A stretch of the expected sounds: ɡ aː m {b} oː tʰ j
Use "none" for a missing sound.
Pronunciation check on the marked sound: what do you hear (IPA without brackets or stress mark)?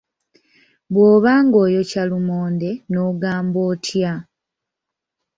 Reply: b